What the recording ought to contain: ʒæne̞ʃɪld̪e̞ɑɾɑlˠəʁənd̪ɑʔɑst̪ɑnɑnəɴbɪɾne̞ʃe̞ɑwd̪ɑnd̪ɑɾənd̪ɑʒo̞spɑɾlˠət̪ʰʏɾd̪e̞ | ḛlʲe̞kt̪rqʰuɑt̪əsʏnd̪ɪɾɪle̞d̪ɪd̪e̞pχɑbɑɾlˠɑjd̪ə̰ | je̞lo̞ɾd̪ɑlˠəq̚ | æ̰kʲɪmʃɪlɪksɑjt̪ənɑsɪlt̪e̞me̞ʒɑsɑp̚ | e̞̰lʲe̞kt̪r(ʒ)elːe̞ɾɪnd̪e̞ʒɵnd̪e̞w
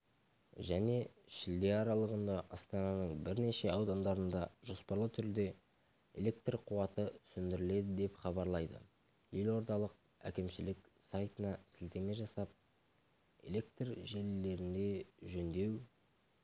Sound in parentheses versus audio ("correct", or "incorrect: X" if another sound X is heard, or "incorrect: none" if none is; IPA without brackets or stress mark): correct